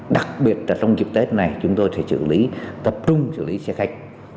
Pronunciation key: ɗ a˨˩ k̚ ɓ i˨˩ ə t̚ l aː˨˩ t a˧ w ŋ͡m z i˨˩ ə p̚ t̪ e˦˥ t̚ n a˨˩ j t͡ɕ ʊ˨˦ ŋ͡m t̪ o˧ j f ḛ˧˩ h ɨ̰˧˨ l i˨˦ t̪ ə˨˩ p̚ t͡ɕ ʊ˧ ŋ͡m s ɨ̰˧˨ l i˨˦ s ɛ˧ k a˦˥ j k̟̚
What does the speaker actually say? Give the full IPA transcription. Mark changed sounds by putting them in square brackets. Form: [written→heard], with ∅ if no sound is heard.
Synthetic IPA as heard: ɗ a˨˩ k̚ ɓ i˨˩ ə t̚ l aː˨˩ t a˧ w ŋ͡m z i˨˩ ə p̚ t̪ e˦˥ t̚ n a˨˩ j t͡ɕ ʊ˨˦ ŋ͡m t̪ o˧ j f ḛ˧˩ [h→s] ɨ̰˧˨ l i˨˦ t̪ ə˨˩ p̚ t͡ɕ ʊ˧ ŋ͡m s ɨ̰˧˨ l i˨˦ s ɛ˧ [k→x] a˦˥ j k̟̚